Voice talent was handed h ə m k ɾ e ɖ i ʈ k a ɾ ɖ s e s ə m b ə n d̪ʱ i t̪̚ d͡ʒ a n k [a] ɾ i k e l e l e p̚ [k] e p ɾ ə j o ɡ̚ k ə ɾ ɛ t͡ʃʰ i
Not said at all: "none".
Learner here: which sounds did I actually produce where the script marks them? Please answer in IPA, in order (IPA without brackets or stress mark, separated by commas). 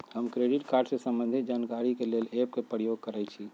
a, k